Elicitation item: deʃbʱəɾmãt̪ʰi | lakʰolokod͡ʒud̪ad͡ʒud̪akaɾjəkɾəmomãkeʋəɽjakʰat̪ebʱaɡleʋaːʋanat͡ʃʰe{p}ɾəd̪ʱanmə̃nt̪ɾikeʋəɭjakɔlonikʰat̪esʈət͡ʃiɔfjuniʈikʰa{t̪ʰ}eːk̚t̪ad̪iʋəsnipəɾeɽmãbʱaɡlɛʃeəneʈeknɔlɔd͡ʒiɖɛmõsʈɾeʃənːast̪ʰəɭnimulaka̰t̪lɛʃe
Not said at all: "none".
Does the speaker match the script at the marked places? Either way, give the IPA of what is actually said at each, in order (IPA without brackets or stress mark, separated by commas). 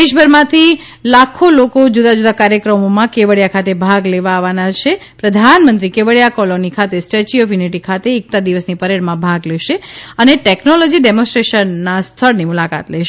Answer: p, t̪